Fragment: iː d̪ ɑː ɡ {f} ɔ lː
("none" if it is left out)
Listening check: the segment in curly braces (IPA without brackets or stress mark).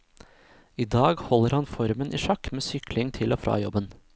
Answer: h